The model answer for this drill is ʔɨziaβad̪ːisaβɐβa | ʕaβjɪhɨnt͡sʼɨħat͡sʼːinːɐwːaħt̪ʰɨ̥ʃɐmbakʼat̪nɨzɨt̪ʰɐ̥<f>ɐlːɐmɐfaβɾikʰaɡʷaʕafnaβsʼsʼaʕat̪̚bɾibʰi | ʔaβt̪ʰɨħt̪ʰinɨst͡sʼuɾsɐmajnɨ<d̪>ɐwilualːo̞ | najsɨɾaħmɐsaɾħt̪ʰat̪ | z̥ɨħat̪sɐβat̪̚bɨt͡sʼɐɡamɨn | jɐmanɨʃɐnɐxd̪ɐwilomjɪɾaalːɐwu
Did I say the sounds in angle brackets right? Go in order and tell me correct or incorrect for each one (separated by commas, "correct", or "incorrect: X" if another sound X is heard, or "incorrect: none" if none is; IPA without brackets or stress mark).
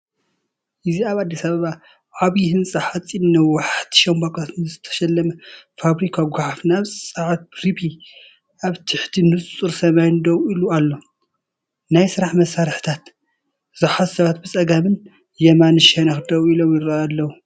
incorrect: ʃ, correct